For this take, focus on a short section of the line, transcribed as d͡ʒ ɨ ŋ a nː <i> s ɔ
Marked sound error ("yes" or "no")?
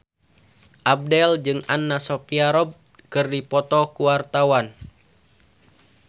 yes